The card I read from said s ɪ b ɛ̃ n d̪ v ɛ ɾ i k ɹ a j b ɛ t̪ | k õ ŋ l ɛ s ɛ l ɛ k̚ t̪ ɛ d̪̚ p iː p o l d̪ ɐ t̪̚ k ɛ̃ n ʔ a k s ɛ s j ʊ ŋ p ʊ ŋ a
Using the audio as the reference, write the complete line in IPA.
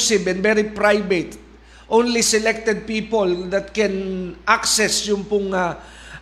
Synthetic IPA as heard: s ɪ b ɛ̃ n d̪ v ɛ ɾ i p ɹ a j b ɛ t̪ | ʔ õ n l i s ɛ l ɛ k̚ t̪ ɛ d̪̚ p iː p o l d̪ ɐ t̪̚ k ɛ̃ n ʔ a k s ɛ s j ʊ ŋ p ʊ ŋ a